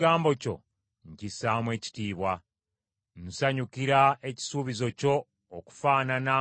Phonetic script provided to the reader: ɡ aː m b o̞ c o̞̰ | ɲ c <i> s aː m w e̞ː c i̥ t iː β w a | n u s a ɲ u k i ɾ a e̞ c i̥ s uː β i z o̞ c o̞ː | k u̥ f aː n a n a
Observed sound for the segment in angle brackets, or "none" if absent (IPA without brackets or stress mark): i